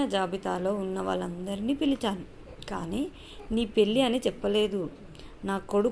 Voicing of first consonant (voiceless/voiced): voiced